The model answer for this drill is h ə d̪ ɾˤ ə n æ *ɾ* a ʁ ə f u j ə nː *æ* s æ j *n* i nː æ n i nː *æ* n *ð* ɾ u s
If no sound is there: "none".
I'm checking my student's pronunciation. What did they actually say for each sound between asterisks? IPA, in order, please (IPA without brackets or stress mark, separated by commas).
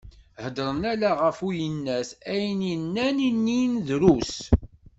l, æ, n, i, ð